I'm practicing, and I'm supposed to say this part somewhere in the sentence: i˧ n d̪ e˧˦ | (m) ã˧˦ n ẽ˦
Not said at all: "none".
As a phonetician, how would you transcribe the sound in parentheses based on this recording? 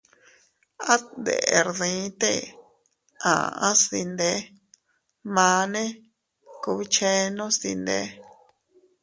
m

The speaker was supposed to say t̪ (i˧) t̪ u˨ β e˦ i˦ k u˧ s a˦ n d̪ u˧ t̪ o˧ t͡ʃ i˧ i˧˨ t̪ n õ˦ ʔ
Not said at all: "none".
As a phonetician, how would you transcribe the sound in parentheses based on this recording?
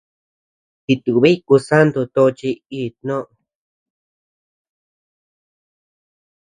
i˧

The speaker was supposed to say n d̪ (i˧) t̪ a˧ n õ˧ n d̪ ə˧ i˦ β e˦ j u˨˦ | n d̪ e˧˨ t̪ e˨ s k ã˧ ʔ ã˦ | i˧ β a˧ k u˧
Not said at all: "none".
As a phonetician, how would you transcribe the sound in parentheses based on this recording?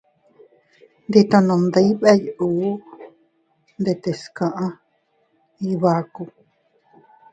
i˧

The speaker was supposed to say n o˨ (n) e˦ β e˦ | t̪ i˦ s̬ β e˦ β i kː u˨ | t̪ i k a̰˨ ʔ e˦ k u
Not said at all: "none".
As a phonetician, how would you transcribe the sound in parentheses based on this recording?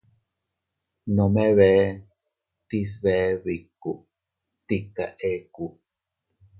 m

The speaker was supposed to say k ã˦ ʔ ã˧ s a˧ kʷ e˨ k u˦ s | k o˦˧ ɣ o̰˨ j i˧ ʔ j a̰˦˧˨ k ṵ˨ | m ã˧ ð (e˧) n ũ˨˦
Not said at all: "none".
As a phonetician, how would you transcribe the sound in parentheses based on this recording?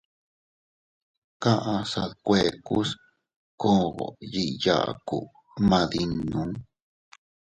i˧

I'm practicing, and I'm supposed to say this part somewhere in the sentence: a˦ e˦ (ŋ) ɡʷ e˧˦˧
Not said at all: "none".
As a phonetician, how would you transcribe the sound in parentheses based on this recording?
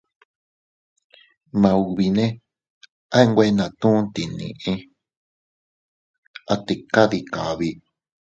ŋ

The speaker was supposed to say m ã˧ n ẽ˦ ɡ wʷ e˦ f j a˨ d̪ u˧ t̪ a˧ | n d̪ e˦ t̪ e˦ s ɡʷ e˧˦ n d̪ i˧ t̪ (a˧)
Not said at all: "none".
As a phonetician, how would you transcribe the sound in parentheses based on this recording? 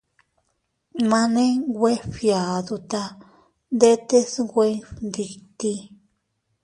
i˧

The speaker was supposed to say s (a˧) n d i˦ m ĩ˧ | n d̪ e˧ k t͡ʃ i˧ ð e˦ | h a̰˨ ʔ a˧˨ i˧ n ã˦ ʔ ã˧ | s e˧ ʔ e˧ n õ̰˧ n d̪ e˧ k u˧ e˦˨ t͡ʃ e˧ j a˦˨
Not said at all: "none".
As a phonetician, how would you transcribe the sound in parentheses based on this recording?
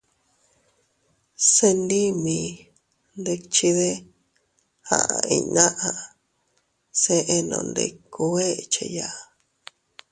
e˧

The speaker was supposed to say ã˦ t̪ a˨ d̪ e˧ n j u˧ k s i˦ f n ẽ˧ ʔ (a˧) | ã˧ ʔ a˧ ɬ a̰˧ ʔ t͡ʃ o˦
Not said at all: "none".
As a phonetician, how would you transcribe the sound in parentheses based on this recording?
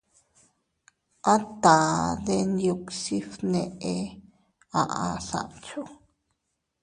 e˧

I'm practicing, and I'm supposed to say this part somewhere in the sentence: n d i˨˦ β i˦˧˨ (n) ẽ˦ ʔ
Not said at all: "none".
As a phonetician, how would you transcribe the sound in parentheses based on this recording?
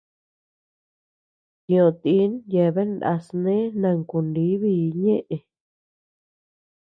ɲ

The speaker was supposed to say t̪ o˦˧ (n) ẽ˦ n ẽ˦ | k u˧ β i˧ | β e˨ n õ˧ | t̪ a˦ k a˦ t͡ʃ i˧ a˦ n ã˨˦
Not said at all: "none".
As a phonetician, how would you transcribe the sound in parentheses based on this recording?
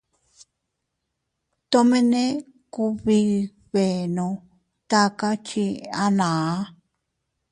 m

